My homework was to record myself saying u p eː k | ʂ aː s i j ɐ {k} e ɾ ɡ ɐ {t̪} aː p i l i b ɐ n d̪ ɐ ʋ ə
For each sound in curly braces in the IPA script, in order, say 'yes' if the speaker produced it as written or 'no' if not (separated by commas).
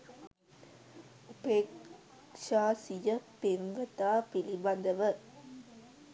no, yes